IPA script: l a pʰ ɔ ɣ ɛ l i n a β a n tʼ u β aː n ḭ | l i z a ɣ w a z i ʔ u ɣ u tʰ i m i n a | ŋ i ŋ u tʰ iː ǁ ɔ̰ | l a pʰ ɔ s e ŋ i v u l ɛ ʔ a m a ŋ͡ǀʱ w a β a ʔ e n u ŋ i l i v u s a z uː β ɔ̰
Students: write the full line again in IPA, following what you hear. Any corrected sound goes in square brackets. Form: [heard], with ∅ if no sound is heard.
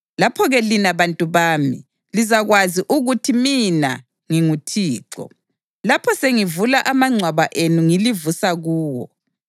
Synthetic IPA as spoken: l a pʰ ɔ ɣ ɛ l i n a β a n tʼ u β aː [m] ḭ | l i z a ɣ w a z i ʔ u ɣ u tʰ i m i n a | ŋ i ŋ u tʰ iː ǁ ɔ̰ | l a pʰ ɔ s e ŋ i v u l [a] ʔ a m a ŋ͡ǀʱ w a β a ʔ e n u ŋ i l i v u s a [ɣ] uː [w] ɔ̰